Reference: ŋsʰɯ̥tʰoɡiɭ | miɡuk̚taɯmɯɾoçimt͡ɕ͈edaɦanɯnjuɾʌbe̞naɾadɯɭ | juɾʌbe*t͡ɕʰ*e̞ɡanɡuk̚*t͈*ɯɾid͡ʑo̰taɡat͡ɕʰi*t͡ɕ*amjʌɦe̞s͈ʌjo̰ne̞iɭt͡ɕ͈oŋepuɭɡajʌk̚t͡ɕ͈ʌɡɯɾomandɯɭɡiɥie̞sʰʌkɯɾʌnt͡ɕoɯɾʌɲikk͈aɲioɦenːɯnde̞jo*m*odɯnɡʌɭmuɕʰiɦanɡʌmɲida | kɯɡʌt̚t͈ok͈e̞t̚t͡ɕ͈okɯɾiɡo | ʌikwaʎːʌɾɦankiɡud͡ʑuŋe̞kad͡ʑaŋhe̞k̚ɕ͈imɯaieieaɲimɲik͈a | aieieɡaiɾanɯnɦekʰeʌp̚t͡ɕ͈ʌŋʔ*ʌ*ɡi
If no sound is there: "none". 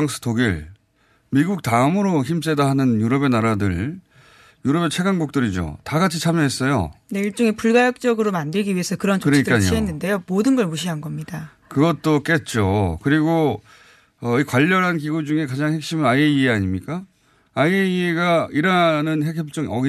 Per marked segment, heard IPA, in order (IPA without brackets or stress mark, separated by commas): t͡ɕʰ, t͈, t͡ɕʰ, m, ʌ